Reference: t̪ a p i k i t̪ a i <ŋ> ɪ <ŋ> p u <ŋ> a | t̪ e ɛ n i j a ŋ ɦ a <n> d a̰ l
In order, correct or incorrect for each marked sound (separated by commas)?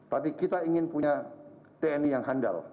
correct, incorrect, incorrect, correct